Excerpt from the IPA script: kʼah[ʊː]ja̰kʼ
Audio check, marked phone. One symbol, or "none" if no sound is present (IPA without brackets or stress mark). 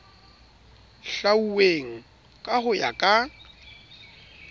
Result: ʊ